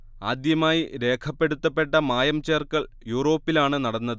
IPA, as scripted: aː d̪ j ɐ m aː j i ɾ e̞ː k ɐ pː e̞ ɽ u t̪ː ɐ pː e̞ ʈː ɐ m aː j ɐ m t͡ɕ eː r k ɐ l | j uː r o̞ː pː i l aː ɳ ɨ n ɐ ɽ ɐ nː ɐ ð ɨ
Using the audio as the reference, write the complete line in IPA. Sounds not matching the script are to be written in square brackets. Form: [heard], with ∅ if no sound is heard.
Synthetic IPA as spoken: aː d̪ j ɐ m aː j i ɾ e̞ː [kʰ] ɐ pː e̞ ɽ u t̪ː ɐ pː e̞ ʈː ɐ m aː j ɐ m t͡ɕ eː r k ɐ [ɭ] | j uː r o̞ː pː i l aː ɳ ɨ n ɐ ɽ ɐ nː ɐ ð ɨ

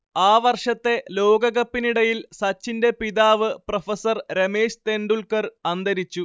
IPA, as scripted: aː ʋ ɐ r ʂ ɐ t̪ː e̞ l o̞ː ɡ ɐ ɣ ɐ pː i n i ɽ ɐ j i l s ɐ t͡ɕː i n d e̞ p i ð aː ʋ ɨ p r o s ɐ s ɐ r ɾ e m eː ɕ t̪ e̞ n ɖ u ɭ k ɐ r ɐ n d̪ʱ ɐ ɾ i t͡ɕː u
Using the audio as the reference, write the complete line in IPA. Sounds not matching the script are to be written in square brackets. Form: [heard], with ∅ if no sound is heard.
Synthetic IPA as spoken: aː ʋ ɐ r ʂ ɐ t̪ː e̞ l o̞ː ɡ ɐ ɣ ɐ pː i n i ɽ ɐ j i l s ɐ t͡ɕː i n d e̞ p i ð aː ʋ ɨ p r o [f] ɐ s ɐ r ɾ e m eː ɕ t̪ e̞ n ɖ u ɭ k ɐ r ɐ n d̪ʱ ɐ ɾ i t͡ɕː u

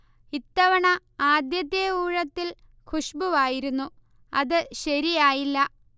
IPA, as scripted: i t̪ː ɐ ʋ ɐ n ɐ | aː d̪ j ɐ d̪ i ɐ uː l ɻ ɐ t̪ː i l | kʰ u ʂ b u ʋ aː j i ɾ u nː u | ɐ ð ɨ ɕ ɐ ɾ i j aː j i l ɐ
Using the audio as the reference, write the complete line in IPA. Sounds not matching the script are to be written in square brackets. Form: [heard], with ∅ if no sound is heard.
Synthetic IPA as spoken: i t̪ː ɐ ʋ ɐ [ɳ] ɐ | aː d̪ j ɐ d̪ [j] ɐ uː [∅] ɻ ɐ t̪ː i l | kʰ u ʂ b u ʋ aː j i ɾ u nː u | ɐ ð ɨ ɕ ɐ ɾ i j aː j i [lː] ɐ

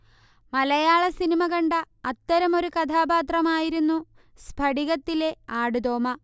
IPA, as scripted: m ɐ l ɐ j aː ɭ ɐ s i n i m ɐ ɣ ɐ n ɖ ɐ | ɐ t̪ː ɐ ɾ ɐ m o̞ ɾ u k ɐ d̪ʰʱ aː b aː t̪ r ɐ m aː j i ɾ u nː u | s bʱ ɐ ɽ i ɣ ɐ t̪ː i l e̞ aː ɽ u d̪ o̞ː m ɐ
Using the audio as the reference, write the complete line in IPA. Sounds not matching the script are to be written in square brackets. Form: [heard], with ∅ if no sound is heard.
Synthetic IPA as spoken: m ɐ l ɐ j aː ɭ ɐ s i n i m ɐ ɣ ɐ [ɳ] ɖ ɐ | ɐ t̪ː ɐ ɾ ɐ m o̞ ɾ u k ɐ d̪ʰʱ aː b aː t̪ r ɐ m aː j i ɾ u nː u | s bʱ ɐ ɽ i ɣ ɐ t̪ː i l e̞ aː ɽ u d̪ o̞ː m ɐ

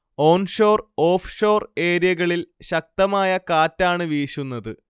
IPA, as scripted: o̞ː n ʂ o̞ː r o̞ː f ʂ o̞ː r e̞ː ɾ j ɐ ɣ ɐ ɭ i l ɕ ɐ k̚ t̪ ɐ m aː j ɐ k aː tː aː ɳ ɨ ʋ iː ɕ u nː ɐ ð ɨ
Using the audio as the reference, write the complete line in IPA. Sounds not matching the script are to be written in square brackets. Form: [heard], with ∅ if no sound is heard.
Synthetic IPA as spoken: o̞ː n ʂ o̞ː r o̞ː f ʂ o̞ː r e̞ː ɾ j ɐ ɣ ɐ ɭ i l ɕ ɐ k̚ t̪ ɐ m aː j ɐ k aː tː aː ɳ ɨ ʋ iː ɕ u nː ɐ ð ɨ

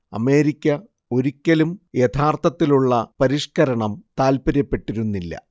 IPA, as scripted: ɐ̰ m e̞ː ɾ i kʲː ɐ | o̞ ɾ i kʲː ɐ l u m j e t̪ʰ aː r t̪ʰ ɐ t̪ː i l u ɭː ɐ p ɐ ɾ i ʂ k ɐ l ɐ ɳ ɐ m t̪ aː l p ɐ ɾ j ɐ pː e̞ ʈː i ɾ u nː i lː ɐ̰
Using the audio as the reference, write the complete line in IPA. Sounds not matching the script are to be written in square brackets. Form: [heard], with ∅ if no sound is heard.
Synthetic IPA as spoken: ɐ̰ m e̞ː ɾ i kʲː ɐ | o̞ ɾ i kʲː ɐ l u m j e t̪ʰ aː r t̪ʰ ɐ t̪ː i l u ɭː ɐ p ɐ ɾ i ʂ k ɐ [ɾ] ɐ ɳ ɐ m t̪ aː l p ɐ ɾ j ɐ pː e̞ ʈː i ɾ u nː i lː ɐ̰

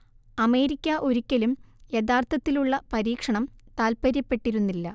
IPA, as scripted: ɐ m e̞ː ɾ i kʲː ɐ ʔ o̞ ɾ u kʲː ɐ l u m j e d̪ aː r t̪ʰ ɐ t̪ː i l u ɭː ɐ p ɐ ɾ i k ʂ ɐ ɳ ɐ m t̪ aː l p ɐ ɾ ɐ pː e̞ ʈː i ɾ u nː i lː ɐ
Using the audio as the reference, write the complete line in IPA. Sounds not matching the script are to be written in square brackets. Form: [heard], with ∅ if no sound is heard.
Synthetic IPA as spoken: ɐ m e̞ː ɾ i kʲː ɐ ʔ o̞ ɾ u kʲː ɐ l u m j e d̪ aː r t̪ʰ ɐ t̪ː i l u ɭː ɐ p ɐ ɾ [iː] k ʂ ɐ ɳ ɐ m t̪ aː l p ɐ ɾ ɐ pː e̞ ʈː i ɾ u nː i lː ɐ

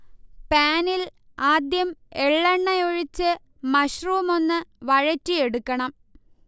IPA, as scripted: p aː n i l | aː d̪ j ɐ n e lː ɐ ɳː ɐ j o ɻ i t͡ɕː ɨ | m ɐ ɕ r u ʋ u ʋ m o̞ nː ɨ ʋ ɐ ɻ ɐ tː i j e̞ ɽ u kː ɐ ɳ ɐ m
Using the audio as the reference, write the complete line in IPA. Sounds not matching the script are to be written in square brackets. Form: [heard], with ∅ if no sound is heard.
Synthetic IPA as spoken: p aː n i l | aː d̪ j ɐ [m] e [ɭː] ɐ ɳː ɐ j o ɻ i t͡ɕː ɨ | m ɐ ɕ r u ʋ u [∅] m o̞ nː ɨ ʋ ɐ ɻ ɐ tː i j e̞ ɽ u kː ɐ ɳ ɐ m

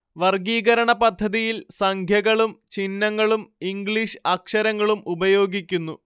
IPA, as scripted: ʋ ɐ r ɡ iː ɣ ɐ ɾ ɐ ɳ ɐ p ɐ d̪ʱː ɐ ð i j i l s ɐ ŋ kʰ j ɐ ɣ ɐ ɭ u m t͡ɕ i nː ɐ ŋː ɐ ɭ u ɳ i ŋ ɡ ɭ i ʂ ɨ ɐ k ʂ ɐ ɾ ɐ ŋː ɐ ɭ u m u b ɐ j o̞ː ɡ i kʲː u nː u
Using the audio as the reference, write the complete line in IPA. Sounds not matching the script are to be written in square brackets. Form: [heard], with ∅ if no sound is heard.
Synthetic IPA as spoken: ʋ ɐ r ɡ iː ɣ ɐ ɾ ɐ ɳ ɐ p ɐ d̪ʱː ɐ ð i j i l s ɐ ŋ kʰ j ɐ ɣ ɐ ɭ u m t͡ɕ i nː ɐ ŋː ɐ ɭ u [m] i ŋ ɡ ɭ i ʂ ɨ ɐ k ʂ ɐ ɾ ɐ ŋː ɐ ɭ u m u b ɐ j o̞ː ɡ i kʲː u nː u

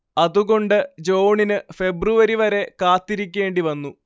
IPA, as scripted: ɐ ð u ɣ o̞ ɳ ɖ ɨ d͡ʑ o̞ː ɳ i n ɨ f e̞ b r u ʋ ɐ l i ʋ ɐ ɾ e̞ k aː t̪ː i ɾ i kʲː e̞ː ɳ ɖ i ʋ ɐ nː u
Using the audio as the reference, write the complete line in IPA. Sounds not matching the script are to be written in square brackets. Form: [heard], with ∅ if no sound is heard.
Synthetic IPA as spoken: ɐ ð u ɣ o̞ ɳ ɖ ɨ d͡ʑ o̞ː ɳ i n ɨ f e̞ b r u ʋ ɐ [ɾ] i ʋ ɐ ɾ e̞ k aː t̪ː i ɾ i kʲː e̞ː ɳ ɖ i ʋ ɐ nː u

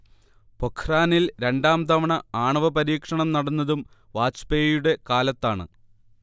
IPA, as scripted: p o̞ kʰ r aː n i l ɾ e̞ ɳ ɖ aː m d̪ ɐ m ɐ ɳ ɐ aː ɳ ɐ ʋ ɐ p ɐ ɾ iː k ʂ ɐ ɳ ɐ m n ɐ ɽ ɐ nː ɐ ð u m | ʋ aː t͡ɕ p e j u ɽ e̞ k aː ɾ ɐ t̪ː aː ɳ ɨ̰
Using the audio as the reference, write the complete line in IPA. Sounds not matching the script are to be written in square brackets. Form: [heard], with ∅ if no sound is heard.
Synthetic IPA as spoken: p o̞ kʰ r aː n i l ɾ e̞ ɳ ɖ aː m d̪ ɐ m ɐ ɳ ɐ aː ɳ ɐ ʋ ɐ p ɐ ɾ iː k ʂ ɐ ɳ ɐ m n ɐ ɽ ɐ nː ɐ ð u m | ʋ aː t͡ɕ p e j u ɽ e̞ k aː [l] ɐ t̪ː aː ɳ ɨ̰

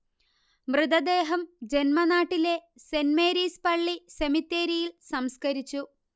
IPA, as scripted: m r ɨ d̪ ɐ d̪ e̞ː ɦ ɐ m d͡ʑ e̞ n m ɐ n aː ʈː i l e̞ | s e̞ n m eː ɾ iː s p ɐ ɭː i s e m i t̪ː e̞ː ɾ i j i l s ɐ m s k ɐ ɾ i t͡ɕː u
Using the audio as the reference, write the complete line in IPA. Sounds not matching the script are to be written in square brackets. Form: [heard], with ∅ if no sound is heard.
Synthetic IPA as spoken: m r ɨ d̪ ɐ d̪ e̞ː ɦ ɐ m d͡ʑ e̞ n m ɐ n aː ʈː i l e̞ | s e̞ n m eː ɾ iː s p ɐ ɭː i s e m i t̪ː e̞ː ɾ i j i l s ɐ m s k ɐ ɾ i t͡ɕː u

